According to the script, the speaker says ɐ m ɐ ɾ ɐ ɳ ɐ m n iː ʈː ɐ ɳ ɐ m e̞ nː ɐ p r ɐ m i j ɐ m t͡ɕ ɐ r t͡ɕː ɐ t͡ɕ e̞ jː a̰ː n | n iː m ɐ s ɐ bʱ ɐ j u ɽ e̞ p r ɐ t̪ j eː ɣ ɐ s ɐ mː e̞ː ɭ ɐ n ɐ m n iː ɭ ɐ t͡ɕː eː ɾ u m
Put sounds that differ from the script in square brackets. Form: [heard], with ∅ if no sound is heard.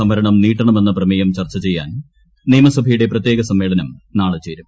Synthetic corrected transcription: ɐ m ɐ ɾ ɐ ɳ ɐ m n iː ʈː ɐ ɳ ɐ m e̞ nː ɐ p r ɐ m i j ɐ m t͡ɕ ɐ r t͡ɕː ɐ t͡ɕ e̞ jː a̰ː n | n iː m ɐ s ɐ bʱ ɐ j u ɽ e̞ p r ɐ t̪ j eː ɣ ɐ s ɐ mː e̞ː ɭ ɐ n ɐ m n [aː] ɭ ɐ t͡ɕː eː ɾ u m